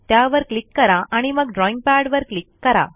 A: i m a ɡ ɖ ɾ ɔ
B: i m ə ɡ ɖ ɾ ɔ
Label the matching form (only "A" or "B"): B